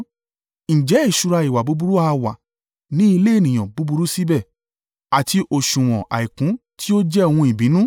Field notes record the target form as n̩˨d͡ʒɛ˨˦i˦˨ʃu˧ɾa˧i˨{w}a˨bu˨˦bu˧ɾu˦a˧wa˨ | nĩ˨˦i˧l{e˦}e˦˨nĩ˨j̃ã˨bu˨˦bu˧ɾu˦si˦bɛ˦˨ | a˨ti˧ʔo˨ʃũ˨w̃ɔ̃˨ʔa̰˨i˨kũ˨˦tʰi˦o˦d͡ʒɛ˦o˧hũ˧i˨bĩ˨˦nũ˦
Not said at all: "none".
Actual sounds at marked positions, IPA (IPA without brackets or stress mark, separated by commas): w, e˦